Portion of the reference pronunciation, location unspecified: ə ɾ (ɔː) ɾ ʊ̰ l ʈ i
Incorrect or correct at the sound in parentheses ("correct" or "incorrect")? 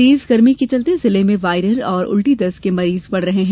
correct